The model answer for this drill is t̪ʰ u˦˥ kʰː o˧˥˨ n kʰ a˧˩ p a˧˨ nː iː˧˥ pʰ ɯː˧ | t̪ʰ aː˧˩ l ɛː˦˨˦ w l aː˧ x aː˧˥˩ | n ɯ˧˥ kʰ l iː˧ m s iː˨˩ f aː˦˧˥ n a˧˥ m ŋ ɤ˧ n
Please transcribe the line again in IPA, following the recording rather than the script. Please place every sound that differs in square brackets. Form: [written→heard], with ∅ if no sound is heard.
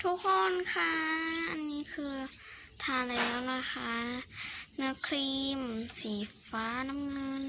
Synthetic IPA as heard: t̪ʰ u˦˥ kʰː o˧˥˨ n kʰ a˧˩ [p→ʔ] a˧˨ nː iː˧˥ [pʰ→kʰ] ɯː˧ | t̪ʰ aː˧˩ l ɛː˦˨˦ w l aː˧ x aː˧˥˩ | n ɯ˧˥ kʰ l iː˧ m s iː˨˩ f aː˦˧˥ n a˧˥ m ŋ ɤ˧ n